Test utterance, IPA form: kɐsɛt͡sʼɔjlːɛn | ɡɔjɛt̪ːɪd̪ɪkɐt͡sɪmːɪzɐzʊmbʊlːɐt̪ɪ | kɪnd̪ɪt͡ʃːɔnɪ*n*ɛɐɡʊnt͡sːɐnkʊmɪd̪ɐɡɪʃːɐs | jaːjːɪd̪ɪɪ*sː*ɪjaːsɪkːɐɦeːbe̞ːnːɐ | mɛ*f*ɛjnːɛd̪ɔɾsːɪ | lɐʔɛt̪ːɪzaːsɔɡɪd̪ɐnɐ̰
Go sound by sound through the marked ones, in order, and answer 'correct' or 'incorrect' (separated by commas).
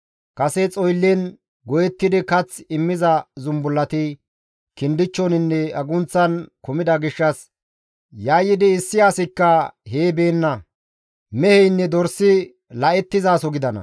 incorrect, correct, incorrect